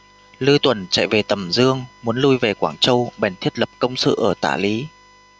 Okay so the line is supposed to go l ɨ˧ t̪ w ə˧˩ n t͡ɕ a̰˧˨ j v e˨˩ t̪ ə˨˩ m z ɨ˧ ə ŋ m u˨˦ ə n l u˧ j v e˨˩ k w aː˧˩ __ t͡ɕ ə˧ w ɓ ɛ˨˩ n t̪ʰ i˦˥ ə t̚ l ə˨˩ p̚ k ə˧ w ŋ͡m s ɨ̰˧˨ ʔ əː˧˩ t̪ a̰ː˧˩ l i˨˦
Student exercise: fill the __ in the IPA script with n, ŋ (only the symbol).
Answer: ŋ